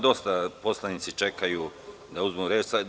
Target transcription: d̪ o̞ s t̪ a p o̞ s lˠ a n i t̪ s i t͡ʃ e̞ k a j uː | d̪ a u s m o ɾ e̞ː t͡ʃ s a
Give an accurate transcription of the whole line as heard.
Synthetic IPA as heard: d̪ o̞ s t̪ a p o̞ s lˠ a n i t̪ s i t͡ʃ e̞ k a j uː | d̪ a u z m u ɾ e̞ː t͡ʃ s a